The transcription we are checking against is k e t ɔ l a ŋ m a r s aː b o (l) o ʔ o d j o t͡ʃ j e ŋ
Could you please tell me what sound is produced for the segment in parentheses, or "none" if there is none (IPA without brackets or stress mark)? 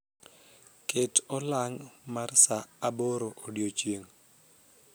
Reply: ɾ